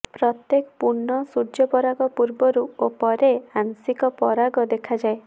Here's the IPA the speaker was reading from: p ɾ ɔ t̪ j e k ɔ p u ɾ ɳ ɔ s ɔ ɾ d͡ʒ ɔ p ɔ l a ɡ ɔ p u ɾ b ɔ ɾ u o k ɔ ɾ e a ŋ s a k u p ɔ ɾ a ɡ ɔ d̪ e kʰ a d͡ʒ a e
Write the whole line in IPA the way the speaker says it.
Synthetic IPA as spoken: p ɾ ɔ t̪ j e k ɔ p u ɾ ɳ ɔ s u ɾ d͡ʒ ɔ p ɔ ɾ a ɡ ɔ p u ɾ b ɔ ɾ u o p ɔ ɾ e a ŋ s i k ɔ p ɔ ɾ a ɡ ɔ d̪ e kʰ a d͡ʒ a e